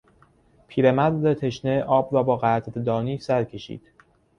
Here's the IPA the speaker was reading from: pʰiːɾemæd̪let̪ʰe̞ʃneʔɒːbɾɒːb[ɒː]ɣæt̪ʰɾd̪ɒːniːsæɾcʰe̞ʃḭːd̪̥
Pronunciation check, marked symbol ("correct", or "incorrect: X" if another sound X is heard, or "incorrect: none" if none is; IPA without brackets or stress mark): correct